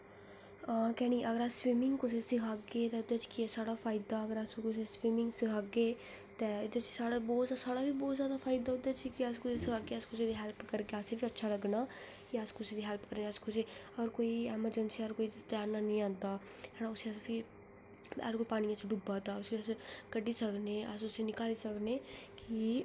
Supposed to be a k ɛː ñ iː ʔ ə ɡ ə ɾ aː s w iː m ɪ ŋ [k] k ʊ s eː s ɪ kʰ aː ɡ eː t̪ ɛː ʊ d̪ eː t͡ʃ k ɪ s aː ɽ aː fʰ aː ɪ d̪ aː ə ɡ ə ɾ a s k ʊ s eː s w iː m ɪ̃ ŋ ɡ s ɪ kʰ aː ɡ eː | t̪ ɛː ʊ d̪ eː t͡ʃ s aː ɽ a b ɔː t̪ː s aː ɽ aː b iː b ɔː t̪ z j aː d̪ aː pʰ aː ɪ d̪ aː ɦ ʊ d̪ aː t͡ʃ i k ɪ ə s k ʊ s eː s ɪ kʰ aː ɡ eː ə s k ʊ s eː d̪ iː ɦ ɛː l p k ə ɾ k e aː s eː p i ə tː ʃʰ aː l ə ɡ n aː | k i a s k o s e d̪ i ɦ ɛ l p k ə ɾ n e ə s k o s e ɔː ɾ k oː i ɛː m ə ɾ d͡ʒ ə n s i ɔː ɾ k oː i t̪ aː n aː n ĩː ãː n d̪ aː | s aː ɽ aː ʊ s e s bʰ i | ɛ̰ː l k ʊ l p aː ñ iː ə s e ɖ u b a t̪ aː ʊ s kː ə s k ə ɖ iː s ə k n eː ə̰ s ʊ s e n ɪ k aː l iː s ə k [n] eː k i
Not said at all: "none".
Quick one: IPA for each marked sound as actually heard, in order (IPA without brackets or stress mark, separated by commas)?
ɡ, n